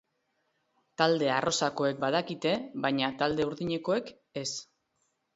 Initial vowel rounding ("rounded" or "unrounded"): unrounded